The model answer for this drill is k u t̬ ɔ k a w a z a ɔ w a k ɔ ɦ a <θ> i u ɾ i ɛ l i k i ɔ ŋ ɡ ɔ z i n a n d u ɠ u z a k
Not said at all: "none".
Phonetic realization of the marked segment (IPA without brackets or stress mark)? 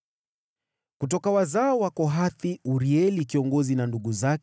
θ